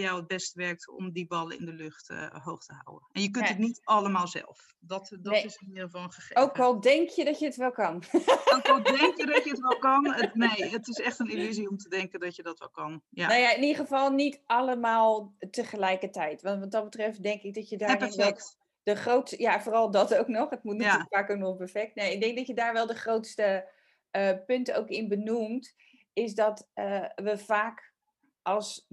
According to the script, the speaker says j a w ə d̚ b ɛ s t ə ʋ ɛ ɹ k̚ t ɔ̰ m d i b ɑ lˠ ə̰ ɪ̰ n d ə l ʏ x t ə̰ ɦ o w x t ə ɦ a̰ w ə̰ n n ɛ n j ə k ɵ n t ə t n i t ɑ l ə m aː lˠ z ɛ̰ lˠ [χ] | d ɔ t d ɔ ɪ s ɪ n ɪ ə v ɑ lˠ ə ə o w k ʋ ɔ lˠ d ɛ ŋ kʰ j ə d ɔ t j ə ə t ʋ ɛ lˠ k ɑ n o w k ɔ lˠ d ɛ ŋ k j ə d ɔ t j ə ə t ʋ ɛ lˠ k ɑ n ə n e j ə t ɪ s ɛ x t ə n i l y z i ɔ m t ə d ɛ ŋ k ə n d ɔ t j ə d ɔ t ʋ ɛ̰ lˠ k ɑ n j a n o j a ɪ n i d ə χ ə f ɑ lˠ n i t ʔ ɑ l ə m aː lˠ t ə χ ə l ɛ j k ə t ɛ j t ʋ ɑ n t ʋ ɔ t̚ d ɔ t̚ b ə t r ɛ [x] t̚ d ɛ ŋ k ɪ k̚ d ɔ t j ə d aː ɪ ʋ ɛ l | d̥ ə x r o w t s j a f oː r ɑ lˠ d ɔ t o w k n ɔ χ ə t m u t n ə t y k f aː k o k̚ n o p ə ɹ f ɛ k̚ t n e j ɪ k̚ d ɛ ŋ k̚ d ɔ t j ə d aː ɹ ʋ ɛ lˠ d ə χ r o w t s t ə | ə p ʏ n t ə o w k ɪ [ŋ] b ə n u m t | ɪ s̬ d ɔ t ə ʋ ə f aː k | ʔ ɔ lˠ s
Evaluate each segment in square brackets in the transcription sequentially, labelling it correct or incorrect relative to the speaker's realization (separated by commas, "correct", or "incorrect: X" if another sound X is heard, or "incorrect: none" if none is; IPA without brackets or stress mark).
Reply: incorrect: f, incorrect: f, incorrect: n